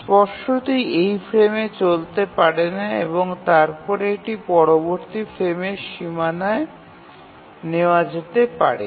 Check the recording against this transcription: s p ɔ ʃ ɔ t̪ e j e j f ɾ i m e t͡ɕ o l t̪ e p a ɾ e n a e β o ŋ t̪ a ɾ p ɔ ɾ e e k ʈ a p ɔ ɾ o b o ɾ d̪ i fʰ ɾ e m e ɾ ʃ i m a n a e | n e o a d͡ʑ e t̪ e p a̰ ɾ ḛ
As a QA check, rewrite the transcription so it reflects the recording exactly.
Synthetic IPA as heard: s p ɔ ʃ o t̪ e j e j f ɾ e m e t͡ɕ o l t̪ e p a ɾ e n a e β o ŋ t̪ a ɾ p ɔ ɾ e e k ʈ i p ɔ ɾ o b o ɾ t̪ i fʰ ɾ e m e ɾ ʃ i m a n a e | n e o a d͡ʑ e t̪ e p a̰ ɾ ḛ